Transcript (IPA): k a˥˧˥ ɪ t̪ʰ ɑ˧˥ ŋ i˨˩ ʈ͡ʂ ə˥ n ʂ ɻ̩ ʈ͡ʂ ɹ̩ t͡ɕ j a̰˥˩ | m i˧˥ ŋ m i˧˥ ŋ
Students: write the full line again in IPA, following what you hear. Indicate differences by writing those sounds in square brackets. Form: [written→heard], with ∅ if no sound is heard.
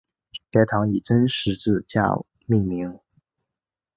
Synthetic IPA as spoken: k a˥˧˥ ɪ t̪ʰ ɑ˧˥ ŋ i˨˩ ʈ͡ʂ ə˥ n ʂ ɻ̩ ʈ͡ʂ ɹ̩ t͡ɕ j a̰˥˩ | m [i˧˥→i˥˩] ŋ m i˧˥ ŋ